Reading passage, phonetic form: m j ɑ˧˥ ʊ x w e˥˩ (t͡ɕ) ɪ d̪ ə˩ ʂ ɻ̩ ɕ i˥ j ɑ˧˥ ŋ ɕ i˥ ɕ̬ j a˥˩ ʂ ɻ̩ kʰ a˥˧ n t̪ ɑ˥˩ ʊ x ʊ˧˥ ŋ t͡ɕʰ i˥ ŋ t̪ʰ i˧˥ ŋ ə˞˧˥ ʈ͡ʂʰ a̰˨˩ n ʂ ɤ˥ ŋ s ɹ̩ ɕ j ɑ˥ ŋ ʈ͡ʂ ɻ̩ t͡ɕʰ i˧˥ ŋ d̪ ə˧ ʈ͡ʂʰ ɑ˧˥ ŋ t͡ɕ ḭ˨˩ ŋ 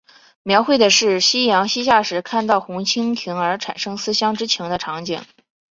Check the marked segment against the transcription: incorrect: none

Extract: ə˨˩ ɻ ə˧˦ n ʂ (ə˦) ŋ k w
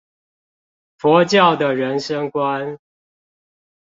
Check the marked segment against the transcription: correct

